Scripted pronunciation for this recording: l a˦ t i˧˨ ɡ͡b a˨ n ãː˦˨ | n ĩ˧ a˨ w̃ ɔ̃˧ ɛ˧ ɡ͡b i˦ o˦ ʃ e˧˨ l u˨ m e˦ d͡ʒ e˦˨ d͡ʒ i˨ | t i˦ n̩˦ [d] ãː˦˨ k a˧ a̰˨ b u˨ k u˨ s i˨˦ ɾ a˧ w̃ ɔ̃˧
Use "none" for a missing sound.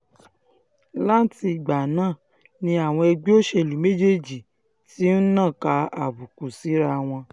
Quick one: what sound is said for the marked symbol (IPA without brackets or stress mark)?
n